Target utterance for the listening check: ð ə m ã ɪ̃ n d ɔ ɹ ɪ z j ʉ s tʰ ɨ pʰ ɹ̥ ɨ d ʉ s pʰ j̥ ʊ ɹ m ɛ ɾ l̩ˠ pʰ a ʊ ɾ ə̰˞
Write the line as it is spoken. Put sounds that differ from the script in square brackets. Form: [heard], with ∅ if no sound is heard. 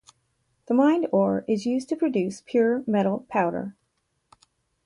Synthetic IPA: ð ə m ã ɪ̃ n d ɔ ɹ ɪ z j ʉ [z] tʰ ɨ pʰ ɹ̥ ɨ d ʉ s pʰ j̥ ʊ ɹ m ɛ ɾ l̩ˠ pʰ a ʊ ɾ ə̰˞